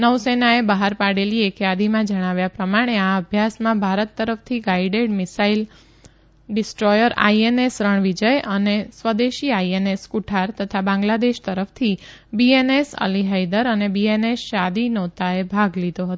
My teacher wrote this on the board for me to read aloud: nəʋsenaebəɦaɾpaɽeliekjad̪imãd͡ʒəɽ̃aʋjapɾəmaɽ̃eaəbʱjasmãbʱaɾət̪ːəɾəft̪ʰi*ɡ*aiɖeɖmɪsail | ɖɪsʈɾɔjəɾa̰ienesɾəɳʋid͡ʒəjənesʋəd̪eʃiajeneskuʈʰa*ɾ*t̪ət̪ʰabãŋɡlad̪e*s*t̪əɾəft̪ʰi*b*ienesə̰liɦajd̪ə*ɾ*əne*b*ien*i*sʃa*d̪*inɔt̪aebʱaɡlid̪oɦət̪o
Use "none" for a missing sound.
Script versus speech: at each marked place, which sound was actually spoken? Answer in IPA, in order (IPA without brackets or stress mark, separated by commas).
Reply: ɡ, ɾ, ʃ, b, ɾ, b, e, d̪